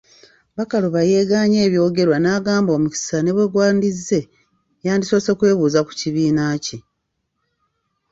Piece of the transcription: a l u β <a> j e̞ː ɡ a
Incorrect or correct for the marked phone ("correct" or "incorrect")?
correct